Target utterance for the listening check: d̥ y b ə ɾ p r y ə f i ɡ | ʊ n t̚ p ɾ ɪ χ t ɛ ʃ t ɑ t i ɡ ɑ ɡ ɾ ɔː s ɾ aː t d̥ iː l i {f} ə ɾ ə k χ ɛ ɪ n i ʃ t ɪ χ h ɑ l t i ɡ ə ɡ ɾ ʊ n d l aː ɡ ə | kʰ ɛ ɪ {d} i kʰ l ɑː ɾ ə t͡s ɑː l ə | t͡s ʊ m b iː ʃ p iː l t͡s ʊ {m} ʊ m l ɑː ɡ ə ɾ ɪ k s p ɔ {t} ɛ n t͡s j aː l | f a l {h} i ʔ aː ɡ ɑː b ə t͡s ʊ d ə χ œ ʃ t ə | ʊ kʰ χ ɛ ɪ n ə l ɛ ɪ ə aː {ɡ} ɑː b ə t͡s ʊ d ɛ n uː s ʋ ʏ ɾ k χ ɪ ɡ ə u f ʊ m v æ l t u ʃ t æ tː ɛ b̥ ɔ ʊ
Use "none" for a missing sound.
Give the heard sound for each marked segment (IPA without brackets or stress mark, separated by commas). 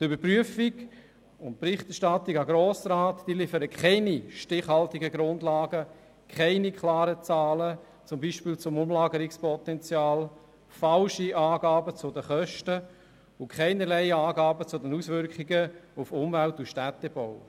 f, n, m, t, ʃ, ɡ